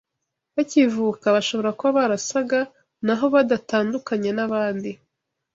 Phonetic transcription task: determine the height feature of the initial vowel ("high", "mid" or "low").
low